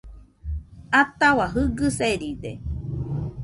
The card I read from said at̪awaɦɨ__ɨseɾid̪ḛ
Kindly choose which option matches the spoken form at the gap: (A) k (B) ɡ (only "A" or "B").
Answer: B